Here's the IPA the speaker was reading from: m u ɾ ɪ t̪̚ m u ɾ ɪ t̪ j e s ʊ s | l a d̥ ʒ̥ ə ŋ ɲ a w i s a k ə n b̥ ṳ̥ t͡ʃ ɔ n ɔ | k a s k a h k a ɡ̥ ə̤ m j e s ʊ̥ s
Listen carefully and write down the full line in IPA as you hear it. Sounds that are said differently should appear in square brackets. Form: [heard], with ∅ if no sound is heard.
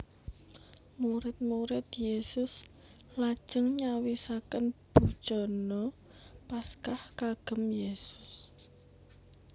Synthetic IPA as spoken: m u ɾ ɪ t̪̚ m u ɾ ɪ t̪ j e s ʊ s | l a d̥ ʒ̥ ə ŋ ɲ a w i s a k ə n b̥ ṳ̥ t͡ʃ ɔ n ɔ | [p] a s k a h k a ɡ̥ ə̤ m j e s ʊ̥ s